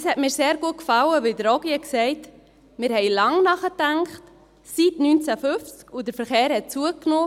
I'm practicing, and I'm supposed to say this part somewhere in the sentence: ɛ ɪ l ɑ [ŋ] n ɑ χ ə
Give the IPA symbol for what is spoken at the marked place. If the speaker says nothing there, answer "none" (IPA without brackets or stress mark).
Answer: ŋ